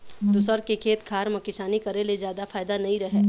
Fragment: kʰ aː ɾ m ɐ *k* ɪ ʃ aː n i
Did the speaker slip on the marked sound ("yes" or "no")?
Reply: no